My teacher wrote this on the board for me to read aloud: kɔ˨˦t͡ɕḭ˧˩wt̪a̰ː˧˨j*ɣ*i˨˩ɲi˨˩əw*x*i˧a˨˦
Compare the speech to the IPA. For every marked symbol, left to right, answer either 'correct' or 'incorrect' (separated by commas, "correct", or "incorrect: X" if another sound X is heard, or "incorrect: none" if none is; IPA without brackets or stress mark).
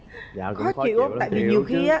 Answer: incorrect: v, correct